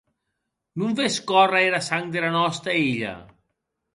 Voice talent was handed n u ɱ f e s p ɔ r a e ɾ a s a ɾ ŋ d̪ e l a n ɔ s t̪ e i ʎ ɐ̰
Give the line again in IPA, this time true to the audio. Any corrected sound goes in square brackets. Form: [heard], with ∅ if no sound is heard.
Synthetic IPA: n u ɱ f e s [k] ɔ r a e ɾ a s a [∅] ŋ d̪ e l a n ɔ s t̪ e i ʎ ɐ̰